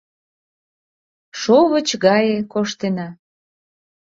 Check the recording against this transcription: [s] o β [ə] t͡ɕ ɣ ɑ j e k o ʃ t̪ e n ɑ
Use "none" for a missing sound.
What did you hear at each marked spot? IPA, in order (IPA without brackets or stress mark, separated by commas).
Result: ʃ, ə